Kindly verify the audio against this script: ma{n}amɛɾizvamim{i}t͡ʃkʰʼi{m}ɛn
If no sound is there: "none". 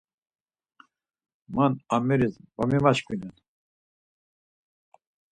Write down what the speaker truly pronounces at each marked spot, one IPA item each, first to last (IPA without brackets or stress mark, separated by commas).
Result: n, a, n